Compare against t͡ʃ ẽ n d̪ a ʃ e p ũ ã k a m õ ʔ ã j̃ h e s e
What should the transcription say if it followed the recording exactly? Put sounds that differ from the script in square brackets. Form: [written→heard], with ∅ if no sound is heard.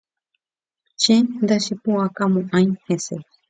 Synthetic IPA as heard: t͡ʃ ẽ n d̪ a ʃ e p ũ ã k a m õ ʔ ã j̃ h e s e